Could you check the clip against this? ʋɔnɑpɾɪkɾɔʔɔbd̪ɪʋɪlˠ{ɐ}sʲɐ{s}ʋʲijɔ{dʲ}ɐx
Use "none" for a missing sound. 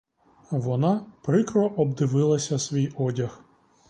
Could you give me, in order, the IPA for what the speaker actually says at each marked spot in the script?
ɐ, s, dʲ

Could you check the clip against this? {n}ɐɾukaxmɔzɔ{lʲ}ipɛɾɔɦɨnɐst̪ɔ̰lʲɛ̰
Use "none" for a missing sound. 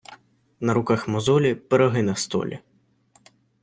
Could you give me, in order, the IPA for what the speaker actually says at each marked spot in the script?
n, lʲ

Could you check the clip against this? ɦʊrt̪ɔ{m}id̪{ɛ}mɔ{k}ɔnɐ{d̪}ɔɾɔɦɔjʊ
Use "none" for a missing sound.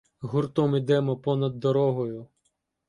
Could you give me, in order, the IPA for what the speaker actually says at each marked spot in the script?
m, ɛ, p, d̪ː

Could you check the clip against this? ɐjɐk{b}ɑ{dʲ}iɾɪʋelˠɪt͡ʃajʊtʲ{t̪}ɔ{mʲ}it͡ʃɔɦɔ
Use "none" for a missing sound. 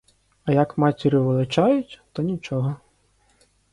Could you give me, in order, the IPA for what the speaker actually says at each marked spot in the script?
m, tʲ, t̪, nʲ

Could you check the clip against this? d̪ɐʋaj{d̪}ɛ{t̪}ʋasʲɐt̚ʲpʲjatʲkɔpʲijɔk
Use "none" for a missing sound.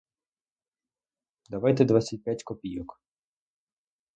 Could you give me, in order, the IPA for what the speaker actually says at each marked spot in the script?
t̪, d̪

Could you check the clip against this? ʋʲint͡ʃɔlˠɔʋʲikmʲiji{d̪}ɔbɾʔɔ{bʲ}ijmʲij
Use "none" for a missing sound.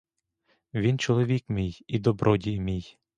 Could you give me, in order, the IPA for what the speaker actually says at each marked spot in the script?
d̪, dʲ

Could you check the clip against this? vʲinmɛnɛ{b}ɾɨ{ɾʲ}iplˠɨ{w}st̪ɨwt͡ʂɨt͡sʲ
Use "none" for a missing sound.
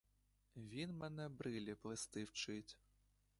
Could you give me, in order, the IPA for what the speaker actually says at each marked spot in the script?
b, lʲ, none

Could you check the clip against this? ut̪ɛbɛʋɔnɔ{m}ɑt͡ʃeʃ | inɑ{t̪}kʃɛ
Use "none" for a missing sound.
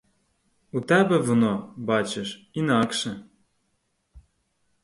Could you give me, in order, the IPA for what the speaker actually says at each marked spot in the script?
b, none

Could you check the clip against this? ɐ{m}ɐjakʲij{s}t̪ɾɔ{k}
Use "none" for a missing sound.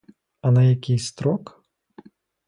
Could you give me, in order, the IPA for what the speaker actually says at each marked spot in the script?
n, s, k

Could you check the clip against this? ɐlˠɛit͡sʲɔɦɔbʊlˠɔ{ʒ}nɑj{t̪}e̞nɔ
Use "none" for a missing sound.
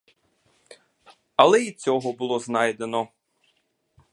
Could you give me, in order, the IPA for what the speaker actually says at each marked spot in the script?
z, d̪

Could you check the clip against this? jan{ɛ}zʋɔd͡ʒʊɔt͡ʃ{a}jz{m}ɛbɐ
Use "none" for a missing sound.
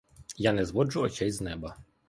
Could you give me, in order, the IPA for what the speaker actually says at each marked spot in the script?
ɛ, ɛ, n

